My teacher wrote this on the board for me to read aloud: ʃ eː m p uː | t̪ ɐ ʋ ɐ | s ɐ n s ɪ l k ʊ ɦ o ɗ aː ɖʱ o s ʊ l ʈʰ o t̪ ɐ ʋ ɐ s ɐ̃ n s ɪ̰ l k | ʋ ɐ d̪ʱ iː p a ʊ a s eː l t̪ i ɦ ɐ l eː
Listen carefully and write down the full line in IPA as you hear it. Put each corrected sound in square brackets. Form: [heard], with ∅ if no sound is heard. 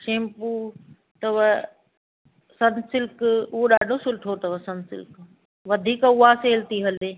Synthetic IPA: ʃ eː m p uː | t̪ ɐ ʋ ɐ | s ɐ n s ɪ l k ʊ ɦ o ɗ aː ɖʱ o s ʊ l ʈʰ o t̪ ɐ ʋ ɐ s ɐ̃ n s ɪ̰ l k | ʋ ɐ d̪ʱ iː [k] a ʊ a s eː l t̪ i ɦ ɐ l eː